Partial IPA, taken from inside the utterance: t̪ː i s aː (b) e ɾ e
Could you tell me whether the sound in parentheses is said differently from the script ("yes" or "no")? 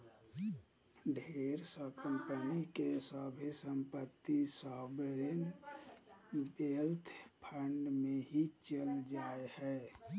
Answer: no